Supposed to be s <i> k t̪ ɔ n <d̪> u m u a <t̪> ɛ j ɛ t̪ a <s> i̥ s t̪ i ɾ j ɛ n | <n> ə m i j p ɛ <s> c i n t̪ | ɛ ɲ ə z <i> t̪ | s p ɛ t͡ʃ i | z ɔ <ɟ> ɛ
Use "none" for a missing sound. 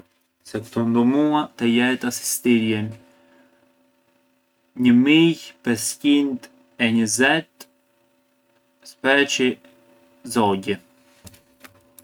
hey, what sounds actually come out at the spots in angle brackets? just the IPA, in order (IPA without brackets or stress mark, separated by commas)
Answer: ɛ, d̪, t̪, s, ɲ, s, ɛ, ɟ